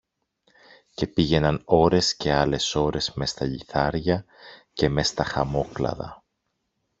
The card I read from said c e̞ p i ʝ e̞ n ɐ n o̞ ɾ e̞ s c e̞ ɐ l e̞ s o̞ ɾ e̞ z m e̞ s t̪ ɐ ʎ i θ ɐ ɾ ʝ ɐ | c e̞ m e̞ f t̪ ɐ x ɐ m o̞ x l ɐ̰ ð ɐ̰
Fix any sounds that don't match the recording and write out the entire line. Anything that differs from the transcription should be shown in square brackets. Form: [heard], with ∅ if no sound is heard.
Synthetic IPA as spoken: c e̞ p i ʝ e̞ n ɐ n o̞ ɾ e̞ s c e̞ ɐ l e̞ s o̞ ɾ e̞ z m e̞ s t̪ ɐ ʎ i θ ɐ ɾ ʝ ɐ | c e̞ m e̞ [s] t̪ ɐ x ɐ m o̞ [k] l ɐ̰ ð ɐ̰